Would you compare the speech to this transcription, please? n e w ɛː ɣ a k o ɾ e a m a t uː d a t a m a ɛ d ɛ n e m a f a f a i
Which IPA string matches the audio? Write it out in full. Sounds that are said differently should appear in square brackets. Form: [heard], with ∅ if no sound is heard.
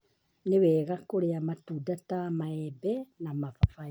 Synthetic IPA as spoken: n e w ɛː ɣ a k o ɾ e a m a t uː d a t a m a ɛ [b] ɛ n [a] m a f a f a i